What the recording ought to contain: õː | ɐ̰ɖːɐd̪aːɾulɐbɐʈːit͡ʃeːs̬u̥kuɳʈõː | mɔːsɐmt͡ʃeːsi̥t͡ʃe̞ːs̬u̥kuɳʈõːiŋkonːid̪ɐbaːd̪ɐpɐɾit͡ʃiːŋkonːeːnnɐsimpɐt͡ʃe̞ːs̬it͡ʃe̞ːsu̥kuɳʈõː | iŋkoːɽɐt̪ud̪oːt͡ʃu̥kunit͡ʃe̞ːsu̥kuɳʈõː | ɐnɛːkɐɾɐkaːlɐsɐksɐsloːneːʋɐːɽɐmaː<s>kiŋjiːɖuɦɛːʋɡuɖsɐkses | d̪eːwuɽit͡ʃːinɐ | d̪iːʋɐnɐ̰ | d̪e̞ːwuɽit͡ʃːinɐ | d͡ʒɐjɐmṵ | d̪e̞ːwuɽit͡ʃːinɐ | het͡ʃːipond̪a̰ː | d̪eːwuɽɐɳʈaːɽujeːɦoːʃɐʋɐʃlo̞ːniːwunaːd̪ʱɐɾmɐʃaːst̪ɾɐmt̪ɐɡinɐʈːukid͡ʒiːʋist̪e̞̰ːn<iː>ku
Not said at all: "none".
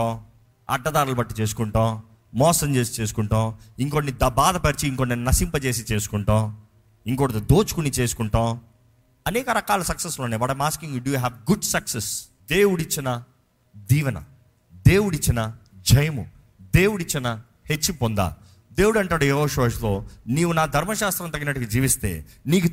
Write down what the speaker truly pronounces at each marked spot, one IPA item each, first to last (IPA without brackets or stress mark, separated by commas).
s, iː